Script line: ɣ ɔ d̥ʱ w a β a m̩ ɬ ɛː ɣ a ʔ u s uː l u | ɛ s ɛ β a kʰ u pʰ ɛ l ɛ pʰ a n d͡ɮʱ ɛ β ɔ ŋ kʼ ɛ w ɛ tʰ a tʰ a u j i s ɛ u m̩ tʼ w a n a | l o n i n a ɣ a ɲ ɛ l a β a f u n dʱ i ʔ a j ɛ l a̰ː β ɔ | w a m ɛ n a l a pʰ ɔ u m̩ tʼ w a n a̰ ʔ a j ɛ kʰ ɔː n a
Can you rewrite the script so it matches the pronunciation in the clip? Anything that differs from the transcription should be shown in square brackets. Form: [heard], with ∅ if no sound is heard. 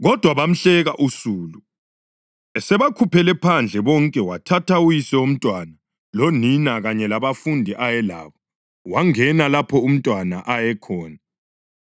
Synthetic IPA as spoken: ɣ ɔ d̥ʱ w a β a m̩ ɬ [ɛ] ɣ a ʔ u s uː l u | ɛ s ɛ β a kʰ u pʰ ɛ l ɛ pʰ a n d͡ɮʱ ɛ β ɔ ŋ kʼ ɛ w [a] tʰ a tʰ a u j i s ɛ u m̩ tʼ w a n a | l o n i n a ɣ a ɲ ɛ l a β a f u n dʱ i ʔ a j ɛ l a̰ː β ɔ | w a [ŋ] ɛ n a l a pʰ ɔ u m̩ tʼ w a n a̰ ʔ a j ɛ kʰ ɔː n a